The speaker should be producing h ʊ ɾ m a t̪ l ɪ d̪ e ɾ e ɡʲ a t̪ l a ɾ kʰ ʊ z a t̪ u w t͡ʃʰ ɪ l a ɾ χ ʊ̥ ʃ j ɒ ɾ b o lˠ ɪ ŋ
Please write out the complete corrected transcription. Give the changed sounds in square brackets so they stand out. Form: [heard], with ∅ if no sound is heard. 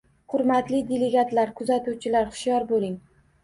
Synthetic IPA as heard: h ʊ ɾ m a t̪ l ɪ d̪ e [l] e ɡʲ a t̪ l a ɾ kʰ ʊ z a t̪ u w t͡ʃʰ ɪ l a ɾ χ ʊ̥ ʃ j ɒ ɾ b o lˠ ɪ ŋ